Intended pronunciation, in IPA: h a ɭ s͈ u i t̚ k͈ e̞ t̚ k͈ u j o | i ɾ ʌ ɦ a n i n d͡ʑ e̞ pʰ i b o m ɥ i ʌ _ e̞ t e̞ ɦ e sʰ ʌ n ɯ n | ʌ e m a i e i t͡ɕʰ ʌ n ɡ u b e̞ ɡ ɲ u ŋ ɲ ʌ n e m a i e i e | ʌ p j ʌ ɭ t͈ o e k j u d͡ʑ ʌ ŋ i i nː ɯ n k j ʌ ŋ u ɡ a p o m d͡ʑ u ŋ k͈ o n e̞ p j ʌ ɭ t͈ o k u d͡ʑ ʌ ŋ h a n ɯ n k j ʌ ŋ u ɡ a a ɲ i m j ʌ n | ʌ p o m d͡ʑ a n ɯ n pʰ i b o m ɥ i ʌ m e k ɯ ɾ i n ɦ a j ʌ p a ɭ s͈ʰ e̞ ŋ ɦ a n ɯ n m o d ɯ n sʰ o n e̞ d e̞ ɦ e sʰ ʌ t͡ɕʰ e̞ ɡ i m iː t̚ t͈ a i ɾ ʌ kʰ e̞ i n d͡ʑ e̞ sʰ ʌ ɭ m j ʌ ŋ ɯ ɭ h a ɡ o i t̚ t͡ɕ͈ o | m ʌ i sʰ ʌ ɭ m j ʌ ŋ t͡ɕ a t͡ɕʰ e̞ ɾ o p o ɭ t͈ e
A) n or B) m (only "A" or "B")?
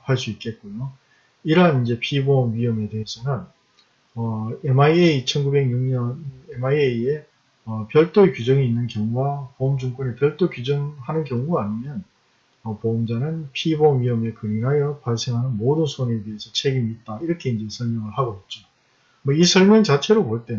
B